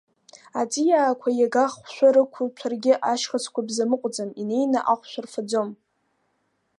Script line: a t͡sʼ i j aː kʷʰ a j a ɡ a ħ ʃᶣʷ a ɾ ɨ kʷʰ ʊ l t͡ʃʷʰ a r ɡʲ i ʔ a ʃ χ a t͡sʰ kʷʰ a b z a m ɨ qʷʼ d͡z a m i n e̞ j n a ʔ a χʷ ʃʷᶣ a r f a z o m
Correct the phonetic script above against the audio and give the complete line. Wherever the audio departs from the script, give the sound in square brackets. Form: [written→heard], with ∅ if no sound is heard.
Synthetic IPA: a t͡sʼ i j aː kʷʰ a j a ɡ a [ħ→χ] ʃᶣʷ a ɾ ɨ kʷʰ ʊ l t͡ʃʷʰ a r ɡʲ [i→ɪ] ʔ a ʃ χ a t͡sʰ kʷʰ a b z a m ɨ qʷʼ d͡z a m i n e̞ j n a ʔ a χʷ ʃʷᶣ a r f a [z→d͡z] o m